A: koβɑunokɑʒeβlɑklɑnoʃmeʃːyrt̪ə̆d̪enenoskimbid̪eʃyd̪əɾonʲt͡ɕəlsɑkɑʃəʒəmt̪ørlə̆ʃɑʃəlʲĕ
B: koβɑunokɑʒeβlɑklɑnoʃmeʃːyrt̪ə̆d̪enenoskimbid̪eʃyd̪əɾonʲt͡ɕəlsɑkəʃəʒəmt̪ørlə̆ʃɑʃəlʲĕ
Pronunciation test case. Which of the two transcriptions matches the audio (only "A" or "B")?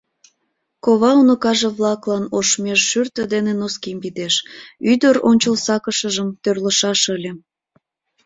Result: B